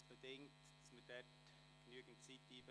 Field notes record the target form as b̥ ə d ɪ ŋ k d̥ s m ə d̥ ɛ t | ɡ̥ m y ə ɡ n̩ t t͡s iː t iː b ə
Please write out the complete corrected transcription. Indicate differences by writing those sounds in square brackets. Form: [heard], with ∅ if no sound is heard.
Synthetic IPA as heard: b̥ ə d ɪ ŋ [t] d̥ s m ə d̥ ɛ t | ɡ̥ [n] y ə ɡ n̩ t t͡s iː t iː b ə